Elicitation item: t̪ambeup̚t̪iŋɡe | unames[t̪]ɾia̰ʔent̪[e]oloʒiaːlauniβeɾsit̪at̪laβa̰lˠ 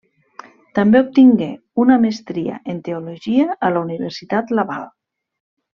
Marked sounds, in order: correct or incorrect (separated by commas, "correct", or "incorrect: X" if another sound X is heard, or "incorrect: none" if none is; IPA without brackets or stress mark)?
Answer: correct, correct